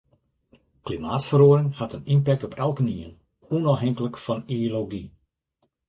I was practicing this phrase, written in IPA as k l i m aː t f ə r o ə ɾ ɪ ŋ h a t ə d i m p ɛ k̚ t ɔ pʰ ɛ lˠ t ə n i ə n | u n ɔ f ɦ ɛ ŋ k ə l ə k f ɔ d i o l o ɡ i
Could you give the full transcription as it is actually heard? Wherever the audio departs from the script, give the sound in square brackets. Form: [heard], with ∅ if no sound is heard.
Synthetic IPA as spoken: k l i m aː t f ə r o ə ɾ ɪ ŋ h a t ə [n] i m p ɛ k̚ t ɔ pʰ ɛ lˠ [k] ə n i ə n | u n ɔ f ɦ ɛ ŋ k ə l ə k f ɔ [n] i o l o ɡ i